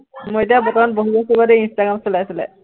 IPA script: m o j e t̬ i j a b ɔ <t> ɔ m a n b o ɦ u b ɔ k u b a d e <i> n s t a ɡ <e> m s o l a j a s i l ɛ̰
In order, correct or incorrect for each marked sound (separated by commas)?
correct, correct, incorrect